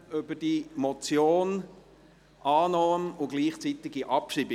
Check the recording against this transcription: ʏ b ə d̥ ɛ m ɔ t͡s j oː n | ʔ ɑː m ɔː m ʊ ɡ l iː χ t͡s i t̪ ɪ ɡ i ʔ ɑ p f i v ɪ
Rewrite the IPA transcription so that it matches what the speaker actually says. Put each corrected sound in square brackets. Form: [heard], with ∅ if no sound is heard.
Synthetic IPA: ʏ b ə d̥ [i] m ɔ t͡s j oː n | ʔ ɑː [n] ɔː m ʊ ɡ l iː χ t͡s i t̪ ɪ ɡ i ʔ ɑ p [ʃ] i [b] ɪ